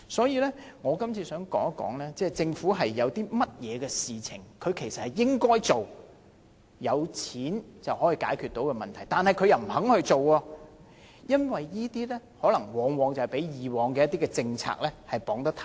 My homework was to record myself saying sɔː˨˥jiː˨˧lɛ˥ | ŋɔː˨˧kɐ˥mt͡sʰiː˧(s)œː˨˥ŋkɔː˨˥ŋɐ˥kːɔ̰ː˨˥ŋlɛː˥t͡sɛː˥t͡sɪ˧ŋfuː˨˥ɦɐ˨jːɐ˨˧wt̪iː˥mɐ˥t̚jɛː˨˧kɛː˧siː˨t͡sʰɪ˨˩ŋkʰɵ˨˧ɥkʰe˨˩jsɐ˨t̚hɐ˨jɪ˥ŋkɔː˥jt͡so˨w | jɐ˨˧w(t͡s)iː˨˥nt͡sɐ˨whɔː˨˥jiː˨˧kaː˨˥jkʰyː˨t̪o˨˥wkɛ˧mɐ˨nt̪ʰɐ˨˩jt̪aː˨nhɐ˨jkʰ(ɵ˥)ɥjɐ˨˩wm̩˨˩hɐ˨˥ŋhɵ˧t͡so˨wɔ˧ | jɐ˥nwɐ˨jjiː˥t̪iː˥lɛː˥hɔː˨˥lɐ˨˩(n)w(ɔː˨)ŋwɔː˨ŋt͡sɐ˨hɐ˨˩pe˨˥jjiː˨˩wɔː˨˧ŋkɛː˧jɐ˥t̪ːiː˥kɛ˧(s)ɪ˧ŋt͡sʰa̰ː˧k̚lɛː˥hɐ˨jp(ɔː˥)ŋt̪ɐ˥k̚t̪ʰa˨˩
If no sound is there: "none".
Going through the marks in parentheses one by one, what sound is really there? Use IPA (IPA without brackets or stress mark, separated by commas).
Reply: s, t͡sʰ, ɵ˨˧, ŋ, ɔː˨, t͡s, ɔː˨˥